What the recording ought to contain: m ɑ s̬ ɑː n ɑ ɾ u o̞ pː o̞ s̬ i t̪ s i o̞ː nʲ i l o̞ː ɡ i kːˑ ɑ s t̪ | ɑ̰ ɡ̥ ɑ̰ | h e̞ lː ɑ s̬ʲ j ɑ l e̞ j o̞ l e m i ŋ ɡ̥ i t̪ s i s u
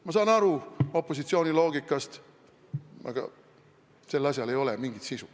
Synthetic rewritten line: m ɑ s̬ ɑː n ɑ ɾ u o̞ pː o̞ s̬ i t̪ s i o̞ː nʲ i l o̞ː ɡ i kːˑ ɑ s t̪ | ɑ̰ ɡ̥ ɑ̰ | s e̞ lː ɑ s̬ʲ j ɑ l e̞ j o̞ l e m i ŋ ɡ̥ i t̪ s i s u